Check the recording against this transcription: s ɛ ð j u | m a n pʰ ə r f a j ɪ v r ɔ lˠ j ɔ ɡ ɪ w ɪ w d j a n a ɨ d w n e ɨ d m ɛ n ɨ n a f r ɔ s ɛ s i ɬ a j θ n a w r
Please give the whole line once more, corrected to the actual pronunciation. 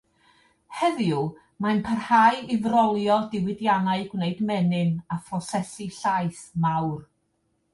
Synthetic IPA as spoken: h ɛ ð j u | m a n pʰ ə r h a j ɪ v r ɔ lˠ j ɔ d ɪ w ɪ d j a n a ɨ ɡ w n e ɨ d m ɛ n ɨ n a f r ɔ s ɛ s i ɬ a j θ m a w r